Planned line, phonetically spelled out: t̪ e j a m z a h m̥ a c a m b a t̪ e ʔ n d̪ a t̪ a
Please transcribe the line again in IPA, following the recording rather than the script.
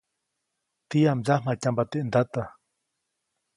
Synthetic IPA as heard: t̪ i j a m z a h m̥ a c a m b a t̪ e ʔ n d̪ a t̪ a